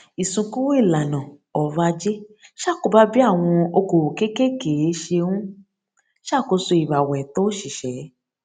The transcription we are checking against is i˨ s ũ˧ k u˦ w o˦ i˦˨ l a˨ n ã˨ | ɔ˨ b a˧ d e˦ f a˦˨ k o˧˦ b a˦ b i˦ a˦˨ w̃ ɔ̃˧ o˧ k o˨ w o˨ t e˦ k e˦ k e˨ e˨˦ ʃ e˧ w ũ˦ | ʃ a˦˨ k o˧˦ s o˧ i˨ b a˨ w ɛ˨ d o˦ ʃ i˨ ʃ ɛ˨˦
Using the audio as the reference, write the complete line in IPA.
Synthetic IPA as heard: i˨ s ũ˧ k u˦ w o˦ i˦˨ l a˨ n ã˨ | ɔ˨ v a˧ d͡ʒ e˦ ʃ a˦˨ k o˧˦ b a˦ b i˦ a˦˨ w̃ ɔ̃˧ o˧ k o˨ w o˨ k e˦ k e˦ k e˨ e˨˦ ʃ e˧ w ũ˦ | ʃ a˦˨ k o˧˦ s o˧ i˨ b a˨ w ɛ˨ t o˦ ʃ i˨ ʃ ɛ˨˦